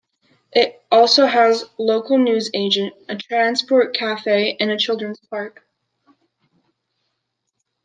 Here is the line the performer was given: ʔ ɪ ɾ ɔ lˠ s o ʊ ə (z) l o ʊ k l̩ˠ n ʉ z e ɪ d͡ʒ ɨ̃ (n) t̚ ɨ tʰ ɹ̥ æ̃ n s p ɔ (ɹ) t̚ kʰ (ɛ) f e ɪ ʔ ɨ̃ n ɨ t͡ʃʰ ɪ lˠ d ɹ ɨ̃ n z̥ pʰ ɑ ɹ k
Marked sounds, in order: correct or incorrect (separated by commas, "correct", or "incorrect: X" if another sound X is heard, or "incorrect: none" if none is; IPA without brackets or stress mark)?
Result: correct, correct, correct, incorrect: æ